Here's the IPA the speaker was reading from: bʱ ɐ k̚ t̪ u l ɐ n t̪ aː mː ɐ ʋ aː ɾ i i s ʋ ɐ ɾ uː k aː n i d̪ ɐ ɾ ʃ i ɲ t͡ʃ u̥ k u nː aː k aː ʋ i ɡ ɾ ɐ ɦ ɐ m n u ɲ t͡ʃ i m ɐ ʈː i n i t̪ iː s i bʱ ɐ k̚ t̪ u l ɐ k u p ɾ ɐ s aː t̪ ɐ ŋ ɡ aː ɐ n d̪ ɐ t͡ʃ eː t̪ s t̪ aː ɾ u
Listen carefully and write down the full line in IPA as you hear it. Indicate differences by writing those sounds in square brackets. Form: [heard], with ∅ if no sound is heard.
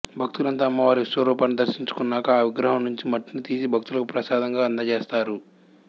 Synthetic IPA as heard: bʱ ɐ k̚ t̪ u l ɐ n t̪ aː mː ɐ ʋ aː ɾ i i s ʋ ɐ ɾ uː [p] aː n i d̪ ɐ ɾ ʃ i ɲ t͡ʃ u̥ k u nː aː k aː ʋ i ɡ ɾ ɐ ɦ ɐ m n u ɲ t͡ʃ i m ɐ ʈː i n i t̪ iː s i bʱ ɐ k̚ t̪ u l ɐ k u p ɾ ɐ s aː [d̪] ɐ ŋ ɡ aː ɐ n d̪ ɐ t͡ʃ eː [∅] s t̪ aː ɾ u